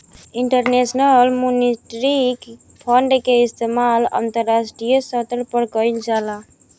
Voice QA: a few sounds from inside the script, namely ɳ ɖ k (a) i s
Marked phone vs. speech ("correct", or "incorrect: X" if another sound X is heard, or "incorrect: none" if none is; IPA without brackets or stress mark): incorrect: e